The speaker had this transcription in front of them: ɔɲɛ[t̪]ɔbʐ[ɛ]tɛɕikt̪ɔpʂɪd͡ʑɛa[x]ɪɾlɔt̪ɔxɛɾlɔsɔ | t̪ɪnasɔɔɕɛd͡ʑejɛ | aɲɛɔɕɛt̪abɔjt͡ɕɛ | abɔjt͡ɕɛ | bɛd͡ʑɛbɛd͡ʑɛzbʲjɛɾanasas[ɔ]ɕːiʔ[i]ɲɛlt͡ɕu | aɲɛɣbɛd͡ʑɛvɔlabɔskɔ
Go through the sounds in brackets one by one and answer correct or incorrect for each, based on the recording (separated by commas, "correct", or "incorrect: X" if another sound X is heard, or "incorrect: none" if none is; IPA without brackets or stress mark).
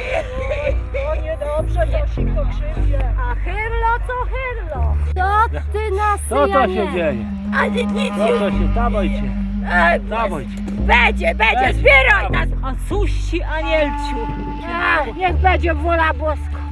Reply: incorrect: d̪, correct, correct, incorrect: u, incorrect: a